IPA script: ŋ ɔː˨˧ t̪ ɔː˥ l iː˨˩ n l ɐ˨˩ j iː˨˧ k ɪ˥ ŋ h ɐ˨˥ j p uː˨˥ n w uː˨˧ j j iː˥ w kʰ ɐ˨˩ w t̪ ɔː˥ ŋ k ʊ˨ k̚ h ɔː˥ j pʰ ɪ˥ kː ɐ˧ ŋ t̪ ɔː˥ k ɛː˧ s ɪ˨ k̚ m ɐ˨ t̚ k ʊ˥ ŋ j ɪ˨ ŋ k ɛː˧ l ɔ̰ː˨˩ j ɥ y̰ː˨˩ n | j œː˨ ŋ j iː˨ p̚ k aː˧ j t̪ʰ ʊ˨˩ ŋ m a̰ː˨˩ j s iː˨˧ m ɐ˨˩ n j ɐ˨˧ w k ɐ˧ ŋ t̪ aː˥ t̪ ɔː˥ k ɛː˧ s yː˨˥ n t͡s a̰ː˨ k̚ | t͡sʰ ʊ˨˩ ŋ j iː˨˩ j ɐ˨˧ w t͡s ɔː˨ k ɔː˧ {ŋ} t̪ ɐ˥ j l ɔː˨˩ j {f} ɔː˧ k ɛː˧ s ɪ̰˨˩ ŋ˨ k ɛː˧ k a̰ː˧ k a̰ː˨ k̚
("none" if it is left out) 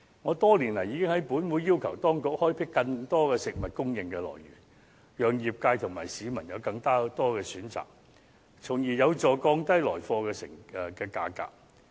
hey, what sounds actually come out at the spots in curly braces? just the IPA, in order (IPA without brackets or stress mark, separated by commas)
ŋ, f